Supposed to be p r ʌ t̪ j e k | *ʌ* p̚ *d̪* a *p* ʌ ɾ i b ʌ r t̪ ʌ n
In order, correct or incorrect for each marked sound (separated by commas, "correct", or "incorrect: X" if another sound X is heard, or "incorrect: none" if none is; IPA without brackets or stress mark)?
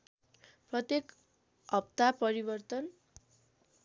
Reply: correct, incorrect: t̪, correct